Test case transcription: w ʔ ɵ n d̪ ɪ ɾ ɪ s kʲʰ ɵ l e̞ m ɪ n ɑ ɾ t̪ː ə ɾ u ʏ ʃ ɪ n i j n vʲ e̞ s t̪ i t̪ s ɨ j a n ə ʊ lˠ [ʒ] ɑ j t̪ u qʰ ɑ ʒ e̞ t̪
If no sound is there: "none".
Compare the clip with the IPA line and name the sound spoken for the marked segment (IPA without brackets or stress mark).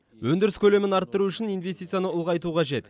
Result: ʁ